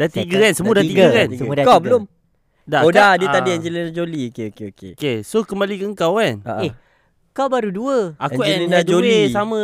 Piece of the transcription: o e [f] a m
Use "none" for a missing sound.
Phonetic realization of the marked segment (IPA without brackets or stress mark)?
s